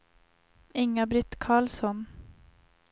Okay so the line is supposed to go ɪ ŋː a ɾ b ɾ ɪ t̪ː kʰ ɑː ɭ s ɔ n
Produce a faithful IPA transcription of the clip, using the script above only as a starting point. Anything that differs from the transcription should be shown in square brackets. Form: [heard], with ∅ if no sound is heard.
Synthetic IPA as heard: ɪ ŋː a [∅] b ɾ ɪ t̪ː kʰ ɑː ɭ s ɔ n